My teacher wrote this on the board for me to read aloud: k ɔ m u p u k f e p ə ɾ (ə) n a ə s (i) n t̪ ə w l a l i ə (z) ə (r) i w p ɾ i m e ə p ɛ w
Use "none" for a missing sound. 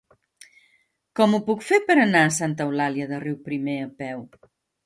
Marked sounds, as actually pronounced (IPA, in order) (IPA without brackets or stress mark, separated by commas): ə, a, ð, r